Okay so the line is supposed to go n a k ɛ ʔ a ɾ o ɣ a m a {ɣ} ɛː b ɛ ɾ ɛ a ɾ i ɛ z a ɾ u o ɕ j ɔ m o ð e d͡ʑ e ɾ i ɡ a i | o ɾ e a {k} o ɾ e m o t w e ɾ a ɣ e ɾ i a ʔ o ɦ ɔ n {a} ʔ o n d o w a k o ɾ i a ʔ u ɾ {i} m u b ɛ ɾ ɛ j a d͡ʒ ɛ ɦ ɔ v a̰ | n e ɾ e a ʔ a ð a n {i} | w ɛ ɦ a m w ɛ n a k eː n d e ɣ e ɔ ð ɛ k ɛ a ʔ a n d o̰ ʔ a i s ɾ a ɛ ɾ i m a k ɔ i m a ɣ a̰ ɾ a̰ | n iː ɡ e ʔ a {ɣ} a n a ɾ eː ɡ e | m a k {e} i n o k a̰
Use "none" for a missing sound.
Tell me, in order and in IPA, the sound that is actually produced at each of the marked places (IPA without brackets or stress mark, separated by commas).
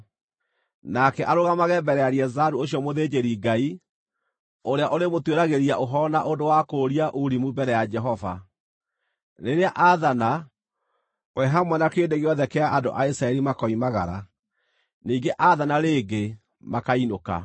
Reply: ɣ, ʔ, a, i, a, ð, a